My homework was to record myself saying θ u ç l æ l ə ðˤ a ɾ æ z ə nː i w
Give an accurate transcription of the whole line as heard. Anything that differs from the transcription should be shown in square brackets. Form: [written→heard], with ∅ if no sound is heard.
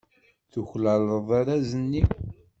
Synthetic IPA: θ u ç l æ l ə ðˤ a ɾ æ z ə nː i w